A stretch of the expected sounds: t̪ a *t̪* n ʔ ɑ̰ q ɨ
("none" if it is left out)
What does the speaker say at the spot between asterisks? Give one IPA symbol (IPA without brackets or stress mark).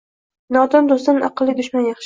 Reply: none